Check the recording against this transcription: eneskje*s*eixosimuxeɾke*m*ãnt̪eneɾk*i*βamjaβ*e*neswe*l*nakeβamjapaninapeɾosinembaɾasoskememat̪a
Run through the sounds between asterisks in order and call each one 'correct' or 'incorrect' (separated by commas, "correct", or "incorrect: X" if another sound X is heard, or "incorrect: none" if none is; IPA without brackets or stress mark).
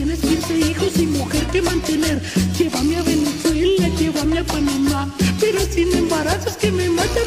correct, correct, incorrect: e, correct, correct